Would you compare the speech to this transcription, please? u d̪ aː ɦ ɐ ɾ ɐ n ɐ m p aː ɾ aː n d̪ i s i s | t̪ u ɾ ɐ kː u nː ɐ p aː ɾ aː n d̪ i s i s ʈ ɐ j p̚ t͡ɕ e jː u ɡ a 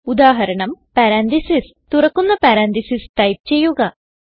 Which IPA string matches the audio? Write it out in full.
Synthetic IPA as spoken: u d̪ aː ɦ ɐ ɾ ɐ ɳ ɐ m p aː ɾ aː n d̪ i s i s | t̪ u ɾ ɐ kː u nː ɐ p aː ɾ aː n d̪ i s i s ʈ ɐ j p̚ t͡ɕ e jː u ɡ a